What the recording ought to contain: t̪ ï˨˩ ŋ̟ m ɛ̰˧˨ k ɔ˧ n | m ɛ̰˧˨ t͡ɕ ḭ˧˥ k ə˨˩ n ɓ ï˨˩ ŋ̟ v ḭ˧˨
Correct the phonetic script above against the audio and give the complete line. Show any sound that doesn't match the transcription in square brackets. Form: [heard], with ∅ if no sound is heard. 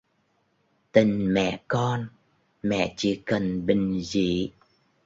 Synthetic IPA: t̪ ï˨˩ ŋ̟ m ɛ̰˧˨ k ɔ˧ n | m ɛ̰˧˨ t͡ɕ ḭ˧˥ k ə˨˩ n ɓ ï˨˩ ŋ̟ [z] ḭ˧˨

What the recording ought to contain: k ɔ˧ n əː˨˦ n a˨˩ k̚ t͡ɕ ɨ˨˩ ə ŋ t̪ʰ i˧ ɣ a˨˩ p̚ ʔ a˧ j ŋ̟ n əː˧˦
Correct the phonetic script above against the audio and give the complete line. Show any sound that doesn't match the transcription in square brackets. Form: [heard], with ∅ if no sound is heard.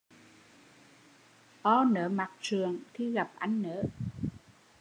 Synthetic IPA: [ʔ] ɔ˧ n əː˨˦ [m] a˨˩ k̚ t͡ɕ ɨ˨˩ ə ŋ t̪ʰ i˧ ɣ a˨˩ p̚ ʔ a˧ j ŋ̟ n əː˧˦

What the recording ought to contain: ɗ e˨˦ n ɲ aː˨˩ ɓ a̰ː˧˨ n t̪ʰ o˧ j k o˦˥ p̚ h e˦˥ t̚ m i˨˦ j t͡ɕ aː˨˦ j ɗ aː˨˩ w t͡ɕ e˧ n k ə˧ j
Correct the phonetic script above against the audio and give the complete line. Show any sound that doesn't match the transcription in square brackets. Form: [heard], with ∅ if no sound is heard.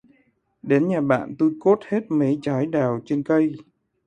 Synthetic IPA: ɗ e˨˦ n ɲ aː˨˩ ɓ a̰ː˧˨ n [t̪] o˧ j k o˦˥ [t̚] h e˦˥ t̚ m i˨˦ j t͡ɕ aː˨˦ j ɗ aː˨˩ w t͡ɕ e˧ n k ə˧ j

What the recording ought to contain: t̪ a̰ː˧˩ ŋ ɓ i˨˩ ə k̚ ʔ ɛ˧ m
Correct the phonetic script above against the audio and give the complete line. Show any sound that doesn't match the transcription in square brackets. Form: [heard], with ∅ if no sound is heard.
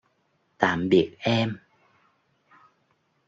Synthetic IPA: t̪ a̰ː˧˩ [m] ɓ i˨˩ ə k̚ ʔ ɛ˧ m

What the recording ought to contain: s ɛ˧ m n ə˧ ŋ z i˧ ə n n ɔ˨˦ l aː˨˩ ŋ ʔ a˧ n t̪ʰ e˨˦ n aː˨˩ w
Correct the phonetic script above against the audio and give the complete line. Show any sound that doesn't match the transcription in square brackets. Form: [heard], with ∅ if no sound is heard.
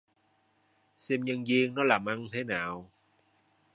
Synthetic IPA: s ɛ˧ m [ɲ] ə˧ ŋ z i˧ ə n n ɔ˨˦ l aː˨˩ [m] ʔ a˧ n t̪ʰ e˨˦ n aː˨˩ w

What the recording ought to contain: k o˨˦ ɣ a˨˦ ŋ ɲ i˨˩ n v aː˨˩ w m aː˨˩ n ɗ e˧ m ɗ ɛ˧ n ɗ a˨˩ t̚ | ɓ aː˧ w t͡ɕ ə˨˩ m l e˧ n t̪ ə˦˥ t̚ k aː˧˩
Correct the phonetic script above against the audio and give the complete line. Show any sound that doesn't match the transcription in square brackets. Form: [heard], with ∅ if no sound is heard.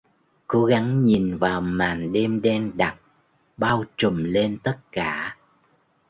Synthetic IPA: k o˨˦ ɣ a˨˦ ŋ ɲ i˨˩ n v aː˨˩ w m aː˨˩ n ɗ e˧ m ɗ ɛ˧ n ɗ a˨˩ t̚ | ɓ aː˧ w t͡ɕ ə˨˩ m l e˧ n t̪ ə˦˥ t̚ k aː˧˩

